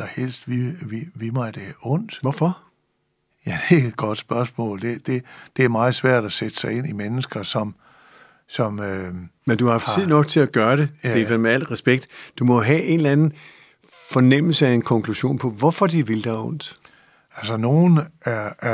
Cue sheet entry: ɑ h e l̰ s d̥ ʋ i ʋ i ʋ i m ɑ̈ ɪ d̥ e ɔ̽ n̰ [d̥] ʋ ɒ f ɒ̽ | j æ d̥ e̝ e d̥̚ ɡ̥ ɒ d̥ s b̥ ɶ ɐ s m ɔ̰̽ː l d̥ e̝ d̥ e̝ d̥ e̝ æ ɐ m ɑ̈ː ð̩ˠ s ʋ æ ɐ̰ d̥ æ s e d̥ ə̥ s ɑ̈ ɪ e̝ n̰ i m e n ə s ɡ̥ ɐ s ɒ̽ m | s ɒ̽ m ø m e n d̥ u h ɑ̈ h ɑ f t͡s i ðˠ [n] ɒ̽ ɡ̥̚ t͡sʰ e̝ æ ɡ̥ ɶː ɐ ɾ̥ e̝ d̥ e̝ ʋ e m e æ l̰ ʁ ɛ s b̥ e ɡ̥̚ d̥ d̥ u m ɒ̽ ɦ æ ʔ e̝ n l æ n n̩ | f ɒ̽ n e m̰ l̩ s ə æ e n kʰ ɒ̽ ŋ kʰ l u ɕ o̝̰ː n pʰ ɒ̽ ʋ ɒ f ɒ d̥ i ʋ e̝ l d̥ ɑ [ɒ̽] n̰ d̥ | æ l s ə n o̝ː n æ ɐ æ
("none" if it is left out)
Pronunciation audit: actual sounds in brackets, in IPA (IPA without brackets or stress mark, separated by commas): d̥, n, ɔ̽